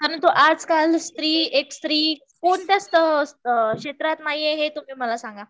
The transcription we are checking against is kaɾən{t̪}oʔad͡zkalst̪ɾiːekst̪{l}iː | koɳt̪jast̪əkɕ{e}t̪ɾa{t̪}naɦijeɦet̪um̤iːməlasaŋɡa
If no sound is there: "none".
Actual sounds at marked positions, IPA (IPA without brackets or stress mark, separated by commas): t̪, ɾ, e, t̪